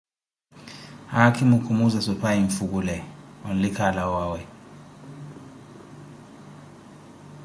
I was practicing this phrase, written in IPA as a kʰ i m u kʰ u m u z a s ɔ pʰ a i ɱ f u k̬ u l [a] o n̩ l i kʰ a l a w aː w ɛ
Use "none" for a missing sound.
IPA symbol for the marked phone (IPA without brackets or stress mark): ɛ